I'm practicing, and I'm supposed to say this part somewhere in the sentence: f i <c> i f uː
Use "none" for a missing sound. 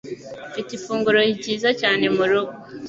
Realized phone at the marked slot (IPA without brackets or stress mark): t